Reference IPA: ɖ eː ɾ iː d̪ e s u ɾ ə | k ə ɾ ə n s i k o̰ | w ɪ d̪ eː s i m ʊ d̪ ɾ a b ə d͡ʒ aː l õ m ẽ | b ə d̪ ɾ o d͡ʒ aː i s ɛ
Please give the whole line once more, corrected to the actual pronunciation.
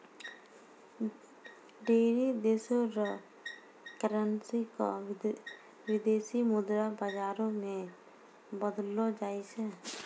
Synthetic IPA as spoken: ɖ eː ɾ i d̪ e s o ɾ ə | k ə ɾ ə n s i k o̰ | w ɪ d̪ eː s i m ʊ d̪ ɾ a b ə d͡ʒ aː ɾ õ m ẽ | b ə d̪ l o d͡ʒ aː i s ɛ